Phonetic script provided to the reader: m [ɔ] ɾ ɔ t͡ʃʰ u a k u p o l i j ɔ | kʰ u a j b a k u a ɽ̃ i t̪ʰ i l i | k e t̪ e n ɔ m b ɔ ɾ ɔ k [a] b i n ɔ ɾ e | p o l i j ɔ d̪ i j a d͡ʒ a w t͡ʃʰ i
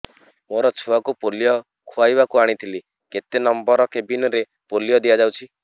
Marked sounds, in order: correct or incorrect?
incorrect: o, incorrect: e

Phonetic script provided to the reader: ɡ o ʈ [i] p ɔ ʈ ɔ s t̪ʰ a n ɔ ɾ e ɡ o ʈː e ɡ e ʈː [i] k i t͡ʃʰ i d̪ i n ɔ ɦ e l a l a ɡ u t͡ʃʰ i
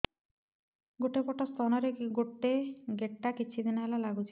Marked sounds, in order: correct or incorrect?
incorrect: e, incorrect: a

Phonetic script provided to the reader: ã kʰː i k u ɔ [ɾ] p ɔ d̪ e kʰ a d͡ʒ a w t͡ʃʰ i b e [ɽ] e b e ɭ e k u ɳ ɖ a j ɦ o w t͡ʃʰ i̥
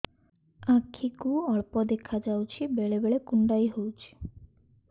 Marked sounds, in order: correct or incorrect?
incorrect: ɭ, incorrect: ɭ

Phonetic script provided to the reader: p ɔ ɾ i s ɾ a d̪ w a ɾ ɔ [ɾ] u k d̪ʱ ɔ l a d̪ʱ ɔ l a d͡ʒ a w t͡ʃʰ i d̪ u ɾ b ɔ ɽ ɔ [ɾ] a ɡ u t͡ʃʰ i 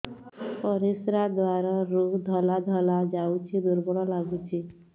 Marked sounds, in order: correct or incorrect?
correct, incorrect: l

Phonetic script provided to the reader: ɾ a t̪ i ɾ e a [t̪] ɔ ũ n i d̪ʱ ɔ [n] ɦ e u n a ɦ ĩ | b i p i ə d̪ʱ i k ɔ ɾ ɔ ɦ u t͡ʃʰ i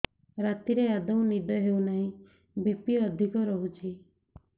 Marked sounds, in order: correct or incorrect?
incorrect: d̪, incorrect: none

